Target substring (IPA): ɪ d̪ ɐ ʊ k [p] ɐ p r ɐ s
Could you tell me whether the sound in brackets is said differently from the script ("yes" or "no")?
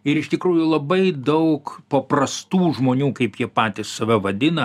no